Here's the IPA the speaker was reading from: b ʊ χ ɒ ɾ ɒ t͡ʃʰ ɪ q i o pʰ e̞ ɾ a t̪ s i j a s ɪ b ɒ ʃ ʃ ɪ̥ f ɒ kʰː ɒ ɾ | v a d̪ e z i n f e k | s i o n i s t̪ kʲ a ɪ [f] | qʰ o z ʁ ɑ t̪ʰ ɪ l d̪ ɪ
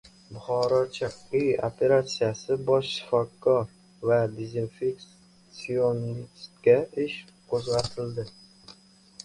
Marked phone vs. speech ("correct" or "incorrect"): incorrect